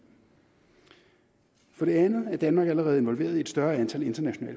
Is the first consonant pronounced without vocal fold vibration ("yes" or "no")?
yes